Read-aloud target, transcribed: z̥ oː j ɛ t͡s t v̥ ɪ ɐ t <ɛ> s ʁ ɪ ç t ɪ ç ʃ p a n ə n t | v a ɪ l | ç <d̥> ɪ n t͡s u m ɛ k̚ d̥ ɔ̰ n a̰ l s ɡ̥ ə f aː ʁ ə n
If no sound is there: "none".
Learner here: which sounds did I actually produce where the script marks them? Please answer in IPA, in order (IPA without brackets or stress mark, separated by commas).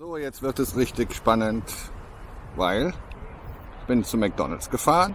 ɛ, b̥